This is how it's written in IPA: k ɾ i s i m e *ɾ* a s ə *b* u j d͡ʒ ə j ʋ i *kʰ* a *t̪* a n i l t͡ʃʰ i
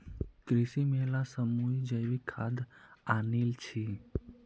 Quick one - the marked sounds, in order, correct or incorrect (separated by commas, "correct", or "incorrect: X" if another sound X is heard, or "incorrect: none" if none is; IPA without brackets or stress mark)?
incorrect: l, incorrect: m, correct, incorrect: d̪